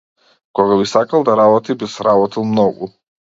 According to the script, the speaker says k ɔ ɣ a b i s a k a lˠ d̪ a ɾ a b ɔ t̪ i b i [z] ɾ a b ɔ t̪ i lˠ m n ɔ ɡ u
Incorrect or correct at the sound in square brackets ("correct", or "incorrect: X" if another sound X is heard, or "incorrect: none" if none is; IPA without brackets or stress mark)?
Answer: incorrect: s